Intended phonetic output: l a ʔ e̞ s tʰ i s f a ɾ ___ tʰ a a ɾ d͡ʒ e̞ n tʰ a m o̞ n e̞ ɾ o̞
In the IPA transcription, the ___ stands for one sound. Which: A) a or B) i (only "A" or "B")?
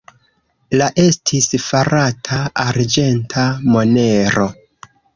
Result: A